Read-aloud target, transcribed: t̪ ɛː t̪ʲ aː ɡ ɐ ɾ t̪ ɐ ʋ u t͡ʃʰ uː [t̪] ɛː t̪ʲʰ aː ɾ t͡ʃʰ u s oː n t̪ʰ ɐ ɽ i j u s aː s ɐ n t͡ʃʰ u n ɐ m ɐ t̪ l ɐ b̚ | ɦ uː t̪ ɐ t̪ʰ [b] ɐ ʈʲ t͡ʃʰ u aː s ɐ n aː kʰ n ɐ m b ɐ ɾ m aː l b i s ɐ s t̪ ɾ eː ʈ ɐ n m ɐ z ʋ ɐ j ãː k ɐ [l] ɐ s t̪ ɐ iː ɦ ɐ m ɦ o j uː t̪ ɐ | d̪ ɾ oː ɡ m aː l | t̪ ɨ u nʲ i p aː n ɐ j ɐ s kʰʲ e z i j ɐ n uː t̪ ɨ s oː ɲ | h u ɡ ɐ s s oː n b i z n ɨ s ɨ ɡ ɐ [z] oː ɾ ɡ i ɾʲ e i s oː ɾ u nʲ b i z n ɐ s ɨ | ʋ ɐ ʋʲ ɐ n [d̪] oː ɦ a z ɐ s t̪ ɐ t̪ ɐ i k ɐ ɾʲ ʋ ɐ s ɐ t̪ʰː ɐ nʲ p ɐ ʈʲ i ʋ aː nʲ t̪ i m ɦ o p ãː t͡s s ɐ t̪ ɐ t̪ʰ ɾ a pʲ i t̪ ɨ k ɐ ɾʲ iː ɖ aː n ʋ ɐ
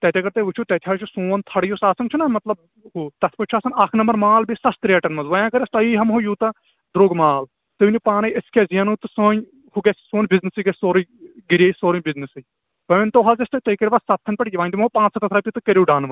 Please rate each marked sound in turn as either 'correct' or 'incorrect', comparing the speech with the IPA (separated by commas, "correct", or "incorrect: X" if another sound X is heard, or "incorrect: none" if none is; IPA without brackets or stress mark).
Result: correct, incorrect: p, incorrect: ɾ, incorrect: s, incorrect: t̪